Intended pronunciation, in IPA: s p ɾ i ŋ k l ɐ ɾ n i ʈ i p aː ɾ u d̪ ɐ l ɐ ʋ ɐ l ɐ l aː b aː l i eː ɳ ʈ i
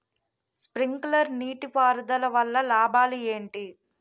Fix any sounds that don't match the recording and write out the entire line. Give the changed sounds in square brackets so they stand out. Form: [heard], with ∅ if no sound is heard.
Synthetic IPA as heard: s p ɾ i ŋ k l ɐ ɾ n [iː] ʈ i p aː ɾ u d̪ ɐ l ɐ ʋ ɐ [lː] ɐ l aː b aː l i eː ɳ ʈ i